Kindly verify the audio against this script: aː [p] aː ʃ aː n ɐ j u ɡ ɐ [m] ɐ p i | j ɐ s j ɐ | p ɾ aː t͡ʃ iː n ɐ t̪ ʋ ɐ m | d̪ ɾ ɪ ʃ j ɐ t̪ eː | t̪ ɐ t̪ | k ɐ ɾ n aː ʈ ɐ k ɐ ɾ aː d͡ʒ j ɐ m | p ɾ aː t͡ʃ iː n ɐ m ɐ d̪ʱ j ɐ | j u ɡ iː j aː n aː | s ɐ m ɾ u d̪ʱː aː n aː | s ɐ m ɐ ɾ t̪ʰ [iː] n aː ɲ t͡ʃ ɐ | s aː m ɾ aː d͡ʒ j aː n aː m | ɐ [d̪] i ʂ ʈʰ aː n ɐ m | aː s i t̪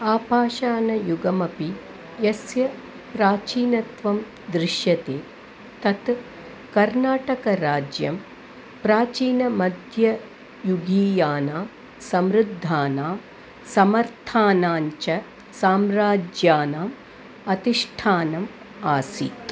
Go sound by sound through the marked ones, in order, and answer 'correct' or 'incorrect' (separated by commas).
correct, correct, incorrect, incorrect